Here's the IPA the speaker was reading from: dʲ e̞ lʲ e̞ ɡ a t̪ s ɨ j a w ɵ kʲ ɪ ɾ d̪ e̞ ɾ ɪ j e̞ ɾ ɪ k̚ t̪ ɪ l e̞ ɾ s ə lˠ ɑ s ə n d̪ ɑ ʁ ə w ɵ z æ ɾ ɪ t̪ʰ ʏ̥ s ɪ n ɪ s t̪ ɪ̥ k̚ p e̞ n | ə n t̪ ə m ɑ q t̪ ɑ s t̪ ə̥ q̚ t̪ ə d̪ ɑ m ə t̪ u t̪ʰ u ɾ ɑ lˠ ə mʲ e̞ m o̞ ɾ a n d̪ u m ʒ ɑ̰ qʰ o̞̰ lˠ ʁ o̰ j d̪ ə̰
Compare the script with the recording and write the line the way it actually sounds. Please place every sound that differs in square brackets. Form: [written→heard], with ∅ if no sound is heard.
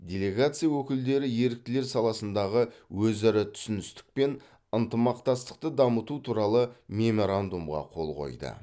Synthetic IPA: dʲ e̞ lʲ e̞ ɡ a t̪ s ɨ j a w ɵ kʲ ɪ [ɾ→l] d̪ e̞ ɾ ɪ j e̞ ɾ ɪ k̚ t̪ ɪ l e̞ ɾ s [ə→ɑ] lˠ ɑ s ə n d̪ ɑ ʁ ə w ɵ z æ ɾ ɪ t̪ʰ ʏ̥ s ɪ n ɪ s t̪ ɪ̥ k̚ p e̞ n | ə n t̪ ə m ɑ q t̪ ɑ s t̪ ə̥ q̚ t̪ ə d̪ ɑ m ə t̪ u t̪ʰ u ɾ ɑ lˠ ə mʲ e̞ m o̞ ɾ a n d̪ u m [ʒ→ʁ] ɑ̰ qʰ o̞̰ lˠ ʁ o̰ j d̪ ə̰